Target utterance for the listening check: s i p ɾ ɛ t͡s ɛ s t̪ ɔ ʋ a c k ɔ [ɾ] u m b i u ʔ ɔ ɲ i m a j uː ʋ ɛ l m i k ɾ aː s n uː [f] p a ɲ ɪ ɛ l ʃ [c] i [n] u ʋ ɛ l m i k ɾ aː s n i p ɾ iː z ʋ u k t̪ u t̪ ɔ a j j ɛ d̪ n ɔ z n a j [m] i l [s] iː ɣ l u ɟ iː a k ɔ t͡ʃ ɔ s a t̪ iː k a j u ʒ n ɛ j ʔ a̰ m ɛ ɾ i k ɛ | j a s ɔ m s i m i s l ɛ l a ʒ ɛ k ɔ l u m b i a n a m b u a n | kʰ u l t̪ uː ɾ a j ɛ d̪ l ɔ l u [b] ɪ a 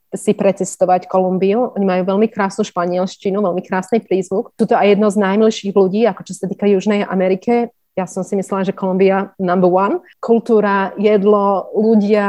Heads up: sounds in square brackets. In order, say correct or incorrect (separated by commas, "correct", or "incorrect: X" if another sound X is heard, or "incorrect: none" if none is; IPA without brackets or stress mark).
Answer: incorrect: l, incorrect: ʃ, correct, correct, correct, incorrect: ʃ, incorrect: ɟ